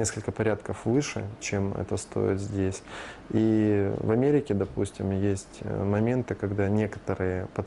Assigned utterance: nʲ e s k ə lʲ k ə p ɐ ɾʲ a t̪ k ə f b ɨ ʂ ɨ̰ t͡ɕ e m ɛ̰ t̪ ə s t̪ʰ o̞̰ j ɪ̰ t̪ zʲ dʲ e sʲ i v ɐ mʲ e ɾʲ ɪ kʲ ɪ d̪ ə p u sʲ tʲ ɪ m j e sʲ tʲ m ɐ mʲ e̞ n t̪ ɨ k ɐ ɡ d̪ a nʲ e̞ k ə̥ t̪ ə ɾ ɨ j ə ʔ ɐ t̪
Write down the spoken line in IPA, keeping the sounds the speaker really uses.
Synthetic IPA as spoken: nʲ e s k ə lʲ k ə p ɐ ɾʲ a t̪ k ə f v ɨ ʂ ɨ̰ t͡ɕ e m ɛ̰ t̪ ə s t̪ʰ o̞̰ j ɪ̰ t̪ zʲ dʲ e sʲ i v ɐ mʲ e ɾʲ ɪ kʲ ɪ d̪ ɐ p u sʲ tʲ ɪ m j e sʲ tʲ m ɐ mʲ e̞ n t̪ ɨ k ɐ ɡ d̪ a nʲ e̞ k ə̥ t̪ ə ɾ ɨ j ə p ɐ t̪